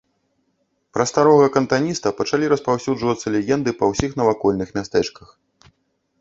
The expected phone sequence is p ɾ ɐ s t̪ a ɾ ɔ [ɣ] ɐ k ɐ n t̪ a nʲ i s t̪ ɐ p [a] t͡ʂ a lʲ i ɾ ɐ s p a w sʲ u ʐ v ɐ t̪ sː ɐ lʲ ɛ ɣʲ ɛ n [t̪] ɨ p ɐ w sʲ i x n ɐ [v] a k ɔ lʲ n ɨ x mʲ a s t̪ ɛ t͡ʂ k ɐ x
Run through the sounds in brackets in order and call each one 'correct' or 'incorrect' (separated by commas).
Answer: correct, incorrect, incorrect, correct